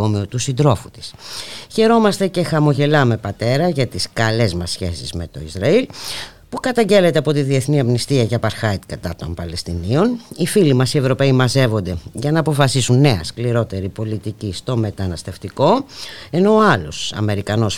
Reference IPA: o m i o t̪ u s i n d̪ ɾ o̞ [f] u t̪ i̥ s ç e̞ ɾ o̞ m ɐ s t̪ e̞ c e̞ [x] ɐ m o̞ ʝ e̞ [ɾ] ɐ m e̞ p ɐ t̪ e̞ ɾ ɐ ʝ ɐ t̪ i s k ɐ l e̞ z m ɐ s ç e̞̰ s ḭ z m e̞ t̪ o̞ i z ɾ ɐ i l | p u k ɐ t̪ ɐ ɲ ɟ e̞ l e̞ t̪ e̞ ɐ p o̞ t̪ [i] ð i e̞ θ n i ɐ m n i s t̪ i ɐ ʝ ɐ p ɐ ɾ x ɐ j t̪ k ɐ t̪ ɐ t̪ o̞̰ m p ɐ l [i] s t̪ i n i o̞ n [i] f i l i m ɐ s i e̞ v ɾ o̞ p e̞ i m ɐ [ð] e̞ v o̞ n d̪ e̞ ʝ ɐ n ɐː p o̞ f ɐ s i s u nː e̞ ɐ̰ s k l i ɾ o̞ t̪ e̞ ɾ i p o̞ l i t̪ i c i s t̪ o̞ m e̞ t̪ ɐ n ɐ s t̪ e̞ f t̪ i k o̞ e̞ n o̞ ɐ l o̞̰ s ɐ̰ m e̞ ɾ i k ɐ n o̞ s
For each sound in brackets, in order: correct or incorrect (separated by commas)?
correct, correct, incorrect, correct, incorrect, correct, incorrect